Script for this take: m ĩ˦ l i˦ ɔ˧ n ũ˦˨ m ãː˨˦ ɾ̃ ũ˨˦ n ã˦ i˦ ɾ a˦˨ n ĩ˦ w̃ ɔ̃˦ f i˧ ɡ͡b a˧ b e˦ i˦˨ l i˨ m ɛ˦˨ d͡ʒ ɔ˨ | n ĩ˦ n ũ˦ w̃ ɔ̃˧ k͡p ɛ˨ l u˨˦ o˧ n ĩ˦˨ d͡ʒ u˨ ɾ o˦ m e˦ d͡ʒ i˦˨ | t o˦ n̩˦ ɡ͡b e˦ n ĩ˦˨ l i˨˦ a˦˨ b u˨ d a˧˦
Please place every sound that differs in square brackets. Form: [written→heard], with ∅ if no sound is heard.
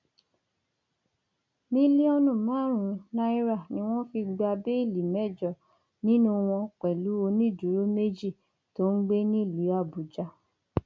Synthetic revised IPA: m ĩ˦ l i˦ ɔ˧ n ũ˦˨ m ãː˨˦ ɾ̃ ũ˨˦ n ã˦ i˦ ɾ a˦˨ n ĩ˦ w̃ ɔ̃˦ f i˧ ɡ͡b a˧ b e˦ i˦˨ l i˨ m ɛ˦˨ d͡ʒ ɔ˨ | n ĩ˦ n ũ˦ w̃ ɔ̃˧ k͡p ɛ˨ l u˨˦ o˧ n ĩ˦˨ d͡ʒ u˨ ɾ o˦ m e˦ d͡ʒ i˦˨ | t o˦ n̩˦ ɡ͡b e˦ n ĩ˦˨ l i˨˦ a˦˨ b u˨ [d→d͡ʒ] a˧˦